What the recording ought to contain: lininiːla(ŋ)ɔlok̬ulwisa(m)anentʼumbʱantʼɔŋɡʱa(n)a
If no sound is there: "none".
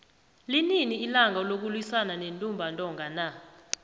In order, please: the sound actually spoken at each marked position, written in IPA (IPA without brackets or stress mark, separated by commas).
ŋ, n, n